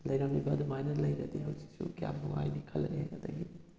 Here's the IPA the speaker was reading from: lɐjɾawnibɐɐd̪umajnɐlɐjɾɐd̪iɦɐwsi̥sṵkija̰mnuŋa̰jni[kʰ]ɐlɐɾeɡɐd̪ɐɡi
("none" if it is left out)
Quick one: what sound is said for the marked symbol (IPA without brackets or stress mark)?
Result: kʰ